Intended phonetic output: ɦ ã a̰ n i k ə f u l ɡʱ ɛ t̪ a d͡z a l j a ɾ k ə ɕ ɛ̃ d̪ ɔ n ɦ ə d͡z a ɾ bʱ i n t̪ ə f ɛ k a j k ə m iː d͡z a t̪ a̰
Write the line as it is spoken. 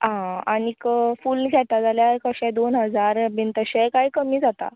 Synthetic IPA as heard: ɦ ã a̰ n i k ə f u l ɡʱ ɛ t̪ a d͡z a l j a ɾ k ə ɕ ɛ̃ d̪ o n ɦ ə d͡z a ɾ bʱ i n t̪ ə ɕ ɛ k a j k ə m iː d͡z a t̪ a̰